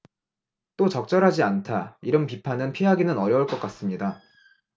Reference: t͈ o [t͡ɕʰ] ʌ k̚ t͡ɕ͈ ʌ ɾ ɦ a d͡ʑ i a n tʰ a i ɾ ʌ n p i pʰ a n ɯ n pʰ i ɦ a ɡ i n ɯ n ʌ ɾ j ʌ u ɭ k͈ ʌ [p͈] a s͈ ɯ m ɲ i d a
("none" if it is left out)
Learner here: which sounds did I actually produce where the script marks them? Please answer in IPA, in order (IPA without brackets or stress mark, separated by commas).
t͡ɕ, k͈